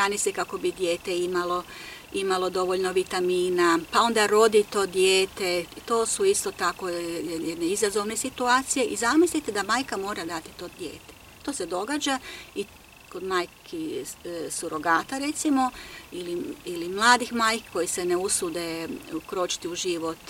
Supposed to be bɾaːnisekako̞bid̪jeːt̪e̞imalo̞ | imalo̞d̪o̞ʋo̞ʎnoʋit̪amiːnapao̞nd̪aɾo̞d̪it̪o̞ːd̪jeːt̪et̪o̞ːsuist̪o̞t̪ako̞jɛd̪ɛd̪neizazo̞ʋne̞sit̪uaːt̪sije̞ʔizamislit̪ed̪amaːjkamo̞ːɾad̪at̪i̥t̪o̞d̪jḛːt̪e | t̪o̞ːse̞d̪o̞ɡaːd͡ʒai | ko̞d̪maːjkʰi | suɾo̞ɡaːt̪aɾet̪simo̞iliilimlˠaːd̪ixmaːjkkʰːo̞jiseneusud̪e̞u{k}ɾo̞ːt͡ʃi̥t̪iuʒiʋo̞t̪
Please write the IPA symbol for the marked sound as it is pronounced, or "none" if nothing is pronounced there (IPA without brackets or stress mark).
k